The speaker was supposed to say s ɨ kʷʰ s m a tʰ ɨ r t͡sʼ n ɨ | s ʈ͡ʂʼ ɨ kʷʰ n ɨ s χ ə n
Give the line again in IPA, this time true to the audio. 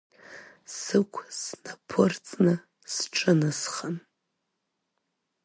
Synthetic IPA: s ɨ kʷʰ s n a pʰ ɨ r t͡sʼ n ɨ | s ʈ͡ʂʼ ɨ n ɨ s χ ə n